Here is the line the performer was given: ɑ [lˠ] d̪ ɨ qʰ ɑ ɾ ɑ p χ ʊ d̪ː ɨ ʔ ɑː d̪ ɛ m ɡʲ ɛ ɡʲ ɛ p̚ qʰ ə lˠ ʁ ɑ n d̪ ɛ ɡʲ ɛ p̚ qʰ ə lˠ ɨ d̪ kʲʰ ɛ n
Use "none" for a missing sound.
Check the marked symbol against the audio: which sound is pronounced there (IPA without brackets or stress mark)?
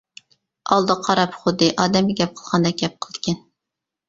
lˠ